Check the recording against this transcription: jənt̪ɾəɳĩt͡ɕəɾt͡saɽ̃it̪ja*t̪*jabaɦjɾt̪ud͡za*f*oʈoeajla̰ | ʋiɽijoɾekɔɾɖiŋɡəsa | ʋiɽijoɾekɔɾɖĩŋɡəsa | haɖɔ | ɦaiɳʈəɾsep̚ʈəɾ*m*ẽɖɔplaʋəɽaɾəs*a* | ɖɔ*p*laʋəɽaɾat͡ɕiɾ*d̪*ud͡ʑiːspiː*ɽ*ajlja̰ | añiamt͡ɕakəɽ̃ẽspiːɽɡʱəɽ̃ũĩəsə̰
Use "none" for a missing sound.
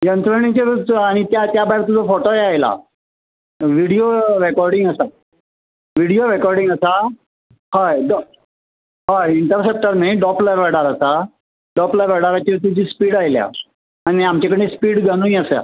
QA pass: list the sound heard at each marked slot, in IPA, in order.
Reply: t̪, f, m, a, p, t̪, ɽ

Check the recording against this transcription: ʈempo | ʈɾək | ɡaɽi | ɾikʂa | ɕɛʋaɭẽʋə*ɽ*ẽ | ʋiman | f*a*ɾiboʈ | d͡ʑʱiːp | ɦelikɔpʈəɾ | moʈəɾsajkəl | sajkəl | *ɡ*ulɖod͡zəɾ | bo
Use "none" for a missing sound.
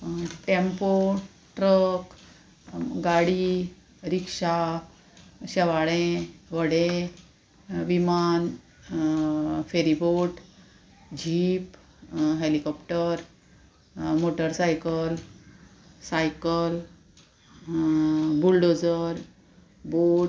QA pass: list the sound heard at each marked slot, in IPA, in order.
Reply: ɽ, e, b

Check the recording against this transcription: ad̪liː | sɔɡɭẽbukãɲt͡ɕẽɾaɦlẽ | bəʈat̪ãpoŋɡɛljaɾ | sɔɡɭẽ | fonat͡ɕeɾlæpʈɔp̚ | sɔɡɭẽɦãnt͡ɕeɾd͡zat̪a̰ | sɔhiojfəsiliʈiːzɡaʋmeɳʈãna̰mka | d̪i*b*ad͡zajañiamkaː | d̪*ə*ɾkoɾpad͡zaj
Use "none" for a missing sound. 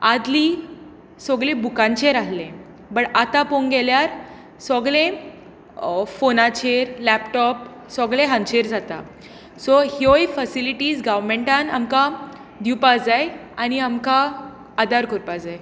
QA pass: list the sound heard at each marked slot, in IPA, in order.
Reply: p, a

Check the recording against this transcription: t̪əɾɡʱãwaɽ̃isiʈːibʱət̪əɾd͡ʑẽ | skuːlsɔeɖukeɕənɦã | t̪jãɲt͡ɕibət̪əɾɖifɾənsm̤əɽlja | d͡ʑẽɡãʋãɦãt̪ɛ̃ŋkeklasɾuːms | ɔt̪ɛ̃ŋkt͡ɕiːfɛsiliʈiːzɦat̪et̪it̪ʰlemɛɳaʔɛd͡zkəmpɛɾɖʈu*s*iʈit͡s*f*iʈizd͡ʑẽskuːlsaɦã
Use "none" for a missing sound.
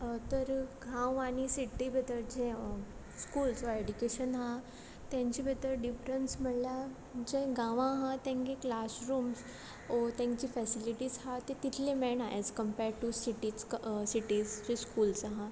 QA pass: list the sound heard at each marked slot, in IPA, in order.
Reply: s, s

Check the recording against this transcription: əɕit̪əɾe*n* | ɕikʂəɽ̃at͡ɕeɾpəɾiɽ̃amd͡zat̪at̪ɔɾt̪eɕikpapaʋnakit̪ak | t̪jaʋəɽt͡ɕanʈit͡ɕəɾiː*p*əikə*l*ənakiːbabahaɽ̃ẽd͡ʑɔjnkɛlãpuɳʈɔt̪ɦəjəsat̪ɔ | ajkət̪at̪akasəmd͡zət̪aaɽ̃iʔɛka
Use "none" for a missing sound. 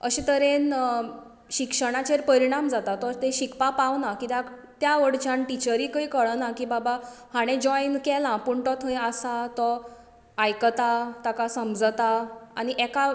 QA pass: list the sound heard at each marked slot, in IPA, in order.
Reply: n, k, ɭ

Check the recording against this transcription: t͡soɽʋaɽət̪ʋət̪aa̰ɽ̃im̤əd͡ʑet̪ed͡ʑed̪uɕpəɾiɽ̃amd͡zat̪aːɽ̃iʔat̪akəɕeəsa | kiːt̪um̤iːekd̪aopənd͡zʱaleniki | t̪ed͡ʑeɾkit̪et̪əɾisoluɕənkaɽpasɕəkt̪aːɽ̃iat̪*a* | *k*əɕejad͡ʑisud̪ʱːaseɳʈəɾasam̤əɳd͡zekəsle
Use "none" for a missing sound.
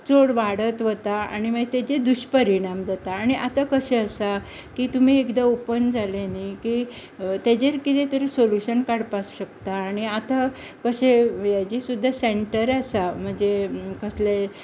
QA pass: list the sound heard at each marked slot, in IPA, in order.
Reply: a, k

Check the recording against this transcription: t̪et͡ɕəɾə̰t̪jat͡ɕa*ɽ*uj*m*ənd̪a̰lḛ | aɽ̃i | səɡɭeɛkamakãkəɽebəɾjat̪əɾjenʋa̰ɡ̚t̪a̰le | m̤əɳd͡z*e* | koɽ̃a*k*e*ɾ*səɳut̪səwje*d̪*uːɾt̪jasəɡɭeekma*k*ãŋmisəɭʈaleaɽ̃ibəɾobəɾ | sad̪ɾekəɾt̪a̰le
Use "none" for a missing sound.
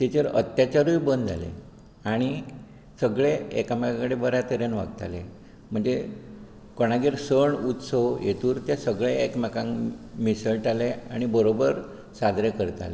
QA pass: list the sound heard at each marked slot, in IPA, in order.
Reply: ɾ, b, e, ɡ, ɾ, t̪, k

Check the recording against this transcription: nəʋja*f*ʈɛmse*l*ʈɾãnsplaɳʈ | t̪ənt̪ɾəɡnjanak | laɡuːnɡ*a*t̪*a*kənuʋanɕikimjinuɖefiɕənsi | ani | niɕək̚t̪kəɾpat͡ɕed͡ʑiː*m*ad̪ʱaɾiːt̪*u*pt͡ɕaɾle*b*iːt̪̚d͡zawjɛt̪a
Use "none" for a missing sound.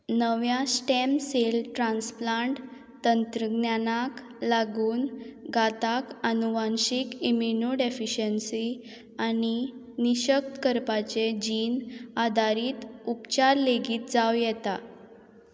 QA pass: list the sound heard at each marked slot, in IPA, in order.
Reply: s, l, a, a, n, u, ɡ

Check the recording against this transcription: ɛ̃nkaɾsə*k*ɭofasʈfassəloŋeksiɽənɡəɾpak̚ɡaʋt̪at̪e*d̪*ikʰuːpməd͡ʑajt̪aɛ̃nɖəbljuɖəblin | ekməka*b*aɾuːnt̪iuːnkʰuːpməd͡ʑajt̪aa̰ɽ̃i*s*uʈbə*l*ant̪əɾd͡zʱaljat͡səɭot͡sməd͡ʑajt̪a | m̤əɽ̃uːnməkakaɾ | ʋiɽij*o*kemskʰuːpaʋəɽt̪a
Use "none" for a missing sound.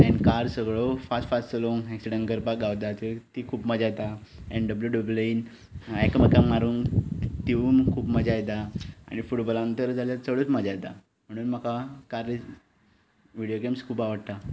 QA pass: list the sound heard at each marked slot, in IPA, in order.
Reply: ɡ, t̪, m, f, l, o

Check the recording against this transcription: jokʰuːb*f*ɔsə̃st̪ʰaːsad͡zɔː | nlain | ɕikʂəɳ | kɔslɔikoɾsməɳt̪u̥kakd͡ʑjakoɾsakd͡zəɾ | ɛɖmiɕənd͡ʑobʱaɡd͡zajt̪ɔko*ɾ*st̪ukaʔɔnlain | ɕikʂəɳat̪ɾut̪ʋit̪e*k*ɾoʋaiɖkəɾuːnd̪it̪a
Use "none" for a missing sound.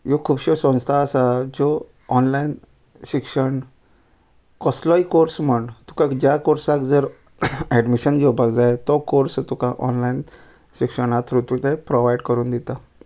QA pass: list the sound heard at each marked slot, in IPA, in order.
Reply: ɕ, ɾ, p

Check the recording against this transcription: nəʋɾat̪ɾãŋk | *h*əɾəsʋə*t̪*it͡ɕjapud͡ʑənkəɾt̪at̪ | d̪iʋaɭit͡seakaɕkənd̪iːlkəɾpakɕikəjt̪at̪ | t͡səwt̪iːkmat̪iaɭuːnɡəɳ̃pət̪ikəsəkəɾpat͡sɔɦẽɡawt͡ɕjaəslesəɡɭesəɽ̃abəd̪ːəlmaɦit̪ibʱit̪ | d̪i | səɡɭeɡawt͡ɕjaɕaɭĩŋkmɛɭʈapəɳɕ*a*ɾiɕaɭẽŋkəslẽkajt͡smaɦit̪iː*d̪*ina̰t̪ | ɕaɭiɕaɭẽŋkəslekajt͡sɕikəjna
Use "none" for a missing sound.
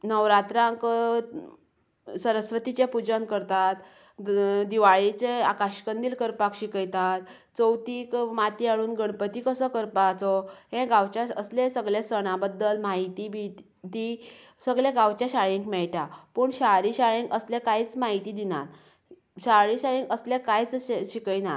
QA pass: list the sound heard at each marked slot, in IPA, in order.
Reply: s, t̪, a, d̪

